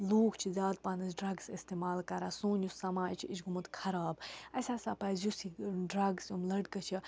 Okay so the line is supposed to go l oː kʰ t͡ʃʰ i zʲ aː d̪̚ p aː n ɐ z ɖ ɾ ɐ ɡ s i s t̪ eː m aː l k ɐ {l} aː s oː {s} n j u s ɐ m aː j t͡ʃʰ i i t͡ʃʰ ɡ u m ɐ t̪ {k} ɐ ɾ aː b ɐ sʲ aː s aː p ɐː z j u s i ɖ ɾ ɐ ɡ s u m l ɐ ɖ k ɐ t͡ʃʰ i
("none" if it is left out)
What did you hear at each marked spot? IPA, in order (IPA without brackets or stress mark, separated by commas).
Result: ɾ, none, kʰ